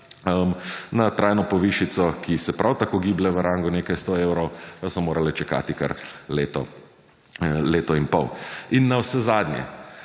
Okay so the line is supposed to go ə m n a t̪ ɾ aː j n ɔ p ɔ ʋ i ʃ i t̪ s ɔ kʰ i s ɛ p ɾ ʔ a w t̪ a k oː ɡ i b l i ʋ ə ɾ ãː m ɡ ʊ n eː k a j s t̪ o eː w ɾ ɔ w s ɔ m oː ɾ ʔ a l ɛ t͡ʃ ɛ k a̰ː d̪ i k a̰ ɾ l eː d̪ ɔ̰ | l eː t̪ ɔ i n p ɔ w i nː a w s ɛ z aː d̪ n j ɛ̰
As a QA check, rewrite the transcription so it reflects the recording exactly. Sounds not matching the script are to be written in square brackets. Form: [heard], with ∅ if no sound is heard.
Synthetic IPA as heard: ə m n a t̪ ɾ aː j n ɔ p ɔ ʋ i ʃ i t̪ s ɔ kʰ i s ɛ p ɾ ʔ a w t̪ a k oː ɡ i b l [ɛ] ʋ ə ɾ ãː [ŋ] ɡ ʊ n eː k a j s t̪ o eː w ɾ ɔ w s ɔ m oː ɾ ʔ a l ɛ t͡ʃ ɛ k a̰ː [t̪] i k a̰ ɾ l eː [t̪] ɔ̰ | l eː t̪ ɔ i n p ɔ w i nː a w s ɛ z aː d̪ n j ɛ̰